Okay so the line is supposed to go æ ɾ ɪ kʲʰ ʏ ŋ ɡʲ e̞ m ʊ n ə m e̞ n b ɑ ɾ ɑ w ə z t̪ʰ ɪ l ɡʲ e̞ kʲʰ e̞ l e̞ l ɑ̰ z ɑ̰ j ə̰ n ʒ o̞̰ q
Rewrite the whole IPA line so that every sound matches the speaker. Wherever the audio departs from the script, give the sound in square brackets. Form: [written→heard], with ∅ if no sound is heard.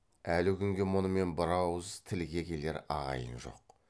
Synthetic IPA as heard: æ [ɾ→l] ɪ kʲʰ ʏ ŋ ɡʲ e̞ m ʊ n ə m e̞ n b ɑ ɾ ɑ w ə z t̪ʰ ɪ l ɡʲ e̞ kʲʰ e̞ l e̞ [l→ɾ] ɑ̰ [z→ʁ] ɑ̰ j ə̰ n ʒ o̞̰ q